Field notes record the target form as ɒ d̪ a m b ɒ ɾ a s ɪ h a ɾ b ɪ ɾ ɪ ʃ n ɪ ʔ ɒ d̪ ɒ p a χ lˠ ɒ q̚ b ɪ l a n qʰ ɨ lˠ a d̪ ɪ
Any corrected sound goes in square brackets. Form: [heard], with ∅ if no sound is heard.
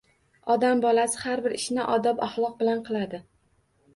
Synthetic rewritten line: ɒ d̪ a m b ɒ [l] a s ɪ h a ɾ b ɪ ɾ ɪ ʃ n ɪ ʔ ɒ d̪ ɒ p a χ lˠ ɒ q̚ b ɪ l a n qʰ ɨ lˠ a d̪ ɪ